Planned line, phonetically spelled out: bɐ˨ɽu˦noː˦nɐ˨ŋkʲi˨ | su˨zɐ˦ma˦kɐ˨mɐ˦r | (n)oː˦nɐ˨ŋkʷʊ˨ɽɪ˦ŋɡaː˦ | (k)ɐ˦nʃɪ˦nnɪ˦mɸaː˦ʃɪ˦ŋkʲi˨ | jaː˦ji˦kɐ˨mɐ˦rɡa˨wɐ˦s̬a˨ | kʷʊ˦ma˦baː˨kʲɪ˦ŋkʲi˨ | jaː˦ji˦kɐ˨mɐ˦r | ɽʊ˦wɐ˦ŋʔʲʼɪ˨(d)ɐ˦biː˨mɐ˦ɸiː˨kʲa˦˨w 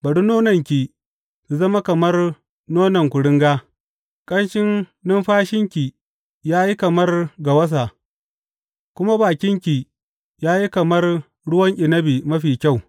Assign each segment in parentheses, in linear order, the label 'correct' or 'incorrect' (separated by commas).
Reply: correct, incorrect, incorrect